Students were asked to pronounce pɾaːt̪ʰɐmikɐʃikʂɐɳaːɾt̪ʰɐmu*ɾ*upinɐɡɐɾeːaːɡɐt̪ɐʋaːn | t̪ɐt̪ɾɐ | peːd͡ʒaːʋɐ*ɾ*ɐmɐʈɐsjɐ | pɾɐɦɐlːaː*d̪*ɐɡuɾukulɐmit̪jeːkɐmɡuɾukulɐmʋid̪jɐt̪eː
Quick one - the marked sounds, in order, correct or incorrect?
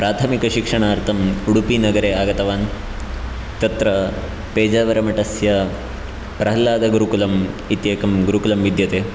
incorrect: ɽ, correct, correct

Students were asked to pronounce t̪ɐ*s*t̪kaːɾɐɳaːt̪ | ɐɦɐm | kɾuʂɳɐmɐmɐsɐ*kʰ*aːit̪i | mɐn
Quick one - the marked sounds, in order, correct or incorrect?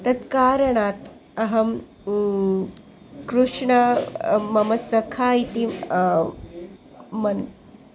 incorrect: none, correct

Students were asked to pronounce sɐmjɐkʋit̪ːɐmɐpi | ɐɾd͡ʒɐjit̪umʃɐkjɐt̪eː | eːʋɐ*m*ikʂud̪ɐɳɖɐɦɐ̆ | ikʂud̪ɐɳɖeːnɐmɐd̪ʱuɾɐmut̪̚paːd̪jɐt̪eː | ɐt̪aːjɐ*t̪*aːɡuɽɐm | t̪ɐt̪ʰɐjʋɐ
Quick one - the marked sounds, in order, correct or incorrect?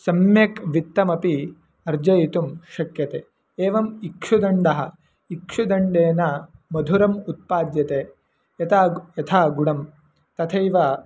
correct, incorrect: t̪ʰ

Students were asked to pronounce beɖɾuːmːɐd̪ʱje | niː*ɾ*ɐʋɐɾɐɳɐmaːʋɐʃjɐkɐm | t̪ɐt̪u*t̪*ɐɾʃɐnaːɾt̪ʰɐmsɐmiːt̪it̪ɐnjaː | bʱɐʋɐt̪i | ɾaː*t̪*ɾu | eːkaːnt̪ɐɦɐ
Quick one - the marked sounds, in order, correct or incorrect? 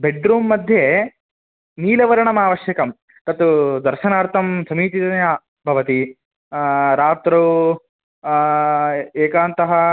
incorrect: l, incorrect: d̪, correct

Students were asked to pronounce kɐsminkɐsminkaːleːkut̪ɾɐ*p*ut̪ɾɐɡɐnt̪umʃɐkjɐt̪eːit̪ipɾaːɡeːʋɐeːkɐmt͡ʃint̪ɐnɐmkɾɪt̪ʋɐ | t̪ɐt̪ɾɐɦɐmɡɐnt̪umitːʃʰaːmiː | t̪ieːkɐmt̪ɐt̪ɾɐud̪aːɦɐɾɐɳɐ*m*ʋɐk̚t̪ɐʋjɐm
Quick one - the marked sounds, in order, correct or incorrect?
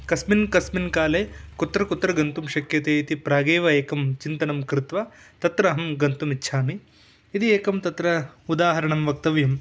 incorrect: k, correct

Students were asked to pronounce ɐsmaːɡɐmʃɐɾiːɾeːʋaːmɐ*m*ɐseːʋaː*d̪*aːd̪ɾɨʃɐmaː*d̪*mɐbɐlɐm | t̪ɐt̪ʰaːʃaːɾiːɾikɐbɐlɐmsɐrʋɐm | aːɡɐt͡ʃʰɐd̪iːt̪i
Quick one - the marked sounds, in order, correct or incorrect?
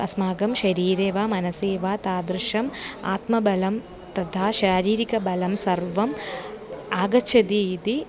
incorrect: n, incorrect: t̪, incorrect: t̪

